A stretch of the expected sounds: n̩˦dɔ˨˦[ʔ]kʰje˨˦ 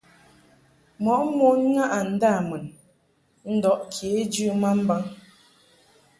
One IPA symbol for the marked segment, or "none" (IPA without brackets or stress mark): ʔ